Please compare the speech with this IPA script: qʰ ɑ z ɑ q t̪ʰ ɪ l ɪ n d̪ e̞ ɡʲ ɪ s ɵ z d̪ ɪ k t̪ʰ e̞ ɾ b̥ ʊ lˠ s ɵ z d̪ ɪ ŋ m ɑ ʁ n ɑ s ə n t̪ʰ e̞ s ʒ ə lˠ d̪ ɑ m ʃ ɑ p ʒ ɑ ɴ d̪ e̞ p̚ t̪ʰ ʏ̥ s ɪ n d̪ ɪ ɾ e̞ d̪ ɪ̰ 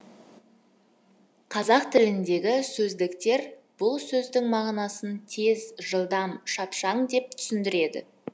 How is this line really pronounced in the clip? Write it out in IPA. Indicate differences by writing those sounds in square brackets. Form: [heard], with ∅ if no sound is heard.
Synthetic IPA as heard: qʰ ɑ z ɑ q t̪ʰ ɪ l ɪ n d̪ e̞ ɡʲ ɪ s ɵ z d̪ ɪ k [t̪] e̞ ɾ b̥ ʊ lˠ s ɵ z d̪ ɪ ŋ m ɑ ʁ n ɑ s ə n t̪ʰ e̞ [z] ʒ ə lˠ d̪ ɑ m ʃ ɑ p [ʃ] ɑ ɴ d̪ e̞ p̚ t̪ʰ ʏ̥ s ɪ n d̪ ɪ ɾ e̞ d̪ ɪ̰